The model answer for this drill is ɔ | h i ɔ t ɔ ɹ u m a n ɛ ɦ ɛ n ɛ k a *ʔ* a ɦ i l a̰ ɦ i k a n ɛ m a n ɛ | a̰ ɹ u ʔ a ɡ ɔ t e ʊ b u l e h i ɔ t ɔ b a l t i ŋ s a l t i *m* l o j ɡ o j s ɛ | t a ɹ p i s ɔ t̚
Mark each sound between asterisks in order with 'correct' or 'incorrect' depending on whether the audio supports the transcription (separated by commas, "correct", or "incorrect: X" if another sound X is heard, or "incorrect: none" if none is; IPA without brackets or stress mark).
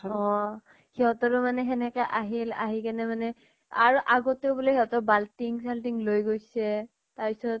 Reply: correct, incorrect: ŋ